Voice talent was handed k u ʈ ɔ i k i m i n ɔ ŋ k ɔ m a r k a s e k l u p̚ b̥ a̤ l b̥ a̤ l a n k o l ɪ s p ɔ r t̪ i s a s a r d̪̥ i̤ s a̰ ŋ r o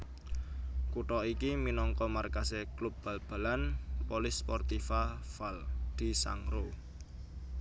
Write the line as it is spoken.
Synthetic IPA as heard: k u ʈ ɔ i k i m i n ɔ ŋ k ɔ m a r k a s e k l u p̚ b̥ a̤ l b̥ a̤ l a n p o l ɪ s p ɔ r t̪ i f a f a l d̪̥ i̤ s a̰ ŋ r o